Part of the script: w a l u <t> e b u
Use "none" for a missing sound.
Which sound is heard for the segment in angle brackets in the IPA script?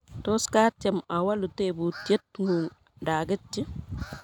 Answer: t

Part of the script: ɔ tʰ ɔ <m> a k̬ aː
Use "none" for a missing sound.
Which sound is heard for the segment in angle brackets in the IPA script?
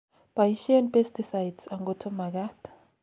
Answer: m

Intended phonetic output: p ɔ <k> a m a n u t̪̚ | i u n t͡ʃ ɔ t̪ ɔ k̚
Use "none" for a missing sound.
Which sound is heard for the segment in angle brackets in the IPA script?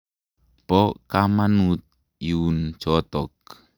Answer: k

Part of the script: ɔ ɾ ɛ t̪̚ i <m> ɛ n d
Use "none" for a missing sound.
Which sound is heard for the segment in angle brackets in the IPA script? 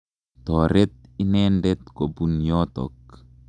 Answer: n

